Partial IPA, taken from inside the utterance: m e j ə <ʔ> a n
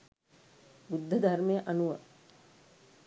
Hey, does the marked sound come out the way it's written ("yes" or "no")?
yes